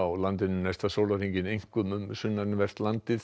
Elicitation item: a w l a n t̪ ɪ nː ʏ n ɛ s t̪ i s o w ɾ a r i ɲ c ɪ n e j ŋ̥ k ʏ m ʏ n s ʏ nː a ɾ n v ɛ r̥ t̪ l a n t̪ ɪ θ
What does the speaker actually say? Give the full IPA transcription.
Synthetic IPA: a w l a n t̪ ɪ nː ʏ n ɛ s t̪ a s o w l a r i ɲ c ɪ n e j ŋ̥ k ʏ m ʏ m s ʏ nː a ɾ n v ɛ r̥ t̪ l a n t̪ ɪ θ

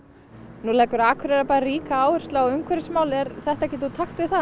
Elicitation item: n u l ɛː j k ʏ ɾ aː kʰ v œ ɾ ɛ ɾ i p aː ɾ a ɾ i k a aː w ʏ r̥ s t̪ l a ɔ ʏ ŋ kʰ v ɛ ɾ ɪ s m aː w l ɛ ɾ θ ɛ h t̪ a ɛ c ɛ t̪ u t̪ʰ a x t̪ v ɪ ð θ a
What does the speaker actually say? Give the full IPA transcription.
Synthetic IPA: n u l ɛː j k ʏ ɾ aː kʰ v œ ɾ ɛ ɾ a p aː ɾ a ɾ iː k a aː w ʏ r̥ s t̪ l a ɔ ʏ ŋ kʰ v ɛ ɾ ɪ s m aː w l ɛ ɾ θ ɛ h t̪ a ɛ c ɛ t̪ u t̪ʰ a x t̪ v ɪ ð θ a

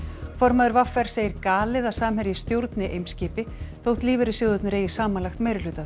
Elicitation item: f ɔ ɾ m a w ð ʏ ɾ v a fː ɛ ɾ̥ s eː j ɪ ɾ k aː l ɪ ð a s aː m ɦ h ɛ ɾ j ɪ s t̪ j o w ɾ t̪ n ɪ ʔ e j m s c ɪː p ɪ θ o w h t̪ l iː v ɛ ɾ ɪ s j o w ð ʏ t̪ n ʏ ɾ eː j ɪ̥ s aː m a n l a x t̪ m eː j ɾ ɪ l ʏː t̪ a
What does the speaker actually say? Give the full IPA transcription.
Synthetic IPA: f ɔ ɾ m a ð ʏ ɾ v a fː ɛ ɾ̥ s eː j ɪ ɾ k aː l ɪ ð a s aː m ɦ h ɛ ɾ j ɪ s t̪ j o w ɾ t̪ n ɪ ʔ e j m s c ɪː p ɪ θ o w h t̪ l iː v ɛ ɾ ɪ s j o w ð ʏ t̪ n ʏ ɾ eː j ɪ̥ s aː m a n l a x t̪ m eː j ɾ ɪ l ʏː t̪ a

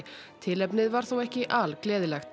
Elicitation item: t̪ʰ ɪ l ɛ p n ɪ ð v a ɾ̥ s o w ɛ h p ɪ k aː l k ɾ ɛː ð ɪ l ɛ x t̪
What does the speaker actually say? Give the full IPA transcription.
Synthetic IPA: t̪ʰ ɪ l ɛ p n ɪ ð v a ɾ̥ θ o w ɛ h c ɪ ʔ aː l k l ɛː ð ɪ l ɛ x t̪

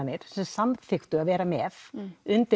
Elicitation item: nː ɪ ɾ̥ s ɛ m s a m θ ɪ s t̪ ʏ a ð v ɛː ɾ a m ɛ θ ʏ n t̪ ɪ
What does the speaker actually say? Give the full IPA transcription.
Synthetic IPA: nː ɪ ɾ̥ s ɛ m s a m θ ɪ x t̪ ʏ a ð v ɛː ɾ a m ɛ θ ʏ n t̪ ɪ

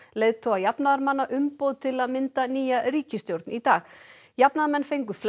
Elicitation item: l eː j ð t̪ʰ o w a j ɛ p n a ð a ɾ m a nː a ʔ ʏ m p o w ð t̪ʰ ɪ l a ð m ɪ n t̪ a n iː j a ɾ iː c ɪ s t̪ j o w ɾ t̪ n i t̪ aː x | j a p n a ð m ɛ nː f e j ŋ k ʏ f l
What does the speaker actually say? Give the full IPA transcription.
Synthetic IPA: l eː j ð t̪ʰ o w a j a p n a ð a ɾ m a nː a ʔ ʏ m p o w ð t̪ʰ ɪ l a ð m ɪ n t̪ a n iː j a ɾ iː c ɪ s t̪ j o w ɾ t̪ n i t̪ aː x | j a p n a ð m ɛ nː f e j ŋ k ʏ f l

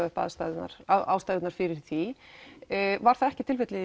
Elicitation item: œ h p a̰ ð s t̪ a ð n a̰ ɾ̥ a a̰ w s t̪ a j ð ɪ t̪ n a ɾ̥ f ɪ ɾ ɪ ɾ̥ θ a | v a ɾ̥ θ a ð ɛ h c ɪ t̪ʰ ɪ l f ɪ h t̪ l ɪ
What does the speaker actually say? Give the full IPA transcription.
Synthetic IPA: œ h p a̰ ð s t̪ a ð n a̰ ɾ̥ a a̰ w s t̪ a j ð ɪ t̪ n a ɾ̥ f ɪ ɾ ɪ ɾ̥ θ i | v a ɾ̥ θ a ð ɛ h c ɪ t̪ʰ ɪ l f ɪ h t̪ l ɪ

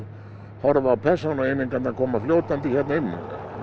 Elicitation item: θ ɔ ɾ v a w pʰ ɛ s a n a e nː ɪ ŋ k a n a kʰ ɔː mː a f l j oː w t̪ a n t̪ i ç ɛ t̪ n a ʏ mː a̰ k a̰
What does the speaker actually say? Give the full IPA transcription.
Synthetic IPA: h ɔ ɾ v a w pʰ ɛ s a n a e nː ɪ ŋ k a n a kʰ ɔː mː a f l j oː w t̪ a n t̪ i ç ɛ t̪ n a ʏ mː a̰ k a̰

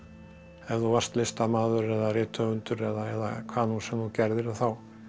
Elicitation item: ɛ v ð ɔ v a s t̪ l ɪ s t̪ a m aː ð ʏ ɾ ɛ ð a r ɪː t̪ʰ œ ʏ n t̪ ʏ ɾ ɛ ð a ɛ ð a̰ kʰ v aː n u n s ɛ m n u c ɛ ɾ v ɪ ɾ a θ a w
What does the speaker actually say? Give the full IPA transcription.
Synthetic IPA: ɛ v ð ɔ v a s t̪ l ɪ s t̪ a m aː ð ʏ ɾ ɛ ð a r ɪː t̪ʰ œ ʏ n t̪ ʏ ɾ ɛ ð a ɛ ð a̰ kʰ v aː n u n s ɛ m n u c ɛ ɾ ð ɪ ɾ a θ a w

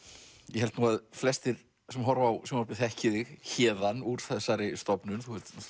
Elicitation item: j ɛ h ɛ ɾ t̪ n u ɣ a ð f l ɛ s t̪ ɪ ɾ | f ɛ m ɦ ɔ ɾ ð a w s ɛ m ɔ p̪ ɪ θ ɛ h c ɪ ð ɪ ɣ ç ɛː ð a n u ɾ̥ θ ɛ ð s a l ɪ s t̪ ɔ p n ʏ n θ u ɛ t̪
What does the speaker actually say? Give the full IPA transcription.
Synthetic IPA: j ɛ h ɛ l t̪ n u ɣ a ð f l ɛ s t̪ ɪ ɾ | s ɛ m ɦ ɔ ɾ v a w s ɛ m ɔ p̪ ɪ θ ɛ h c ɪ ð ɪ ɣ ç ɛː ð a n u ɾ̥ θ ɛ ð s a ɾ ɪ s t̪ ɔ p n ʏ n θ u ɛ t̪

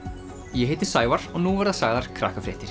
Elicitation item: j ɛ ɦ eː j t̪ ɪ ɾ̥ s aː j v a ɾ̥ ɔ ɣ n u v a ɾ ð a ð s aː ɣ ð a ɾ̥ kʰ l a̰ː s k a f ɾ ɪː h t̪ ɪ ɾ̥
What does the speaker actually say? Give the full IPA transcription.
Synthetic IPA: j ɛ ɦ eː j t̪ ɪ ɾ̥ s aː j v a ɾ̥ ɔ ɣ n u v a ɾ ð a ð s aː ɣ ð a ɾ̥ kʰ ɾ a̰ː h k a f ɾ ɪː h t̪ ɪ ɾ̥

